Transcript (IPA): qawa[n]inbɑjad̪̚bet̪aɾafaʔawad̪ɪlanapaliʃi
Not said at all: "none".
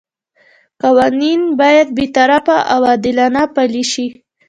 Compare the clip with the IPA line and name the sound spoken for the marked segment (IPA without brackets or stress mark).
n